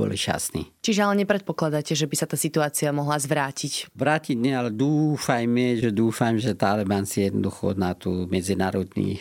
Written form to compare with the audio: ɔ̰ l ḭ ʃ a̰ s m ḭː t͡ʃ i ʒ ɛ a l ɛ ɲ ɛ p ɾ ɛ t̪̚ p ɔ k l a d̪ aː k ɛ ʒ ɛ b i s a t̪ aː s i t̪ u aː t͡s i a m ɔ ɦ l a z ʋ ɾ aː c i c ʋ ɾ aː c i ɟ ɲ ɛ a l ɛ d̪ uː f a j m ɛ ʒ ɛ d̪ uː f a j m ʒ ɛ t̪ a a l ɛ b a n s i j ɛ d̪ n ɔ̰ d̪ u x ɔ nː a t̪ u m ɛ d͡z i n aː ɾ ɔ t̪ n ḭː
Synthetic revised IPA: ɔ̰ l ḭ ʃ a̰ s n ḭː t͡ʃ i ʒ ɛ a l ɛ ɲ ɛ p ɾ ɛ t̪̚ p ɔ k l a d̪ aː c ɛ ʒ ɛ b i s a t̪ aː s i t̪ u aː t͡s i a m ɔ ɦ l a z ʋ ɾ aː c i c ʋ ɾ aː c i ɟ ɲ ɛ a l ɛ d̪ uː f a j m ɛ ʒ ɛ d̪ uː f a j m ʒ ɛ t̪ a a l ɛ b a n s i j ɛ d̪ n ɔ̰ d̪ u x ɔ n a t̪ u m ɛ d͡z i n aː ɾ ɔ d̪ n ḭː